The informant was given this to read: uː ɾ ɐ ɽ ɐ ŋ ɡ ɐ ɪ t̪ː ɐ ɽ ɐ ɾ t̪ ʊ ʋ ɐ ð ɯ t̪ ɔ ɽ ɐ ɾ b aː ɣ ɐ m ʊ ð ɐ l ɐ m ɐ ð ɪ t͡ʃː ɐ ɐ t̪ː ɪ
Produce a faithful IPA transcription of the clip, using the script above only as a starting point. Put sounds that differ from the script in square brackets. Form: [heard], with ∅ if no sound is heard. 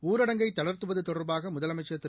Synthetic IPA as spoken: uː ɾ ɐ ɽ ɐ ŋ ɡ ɐ ɪ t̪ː ɐ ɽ ɐ ɾ t̪ [ɯ] ʋ ɐ ð ɯ t̪ ɔ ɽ ɐ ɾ b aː ɣ ɐ m ʊ ð ɐ l ɐ m ɐ [∅] ɪ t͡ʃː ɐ ɐ t̪ː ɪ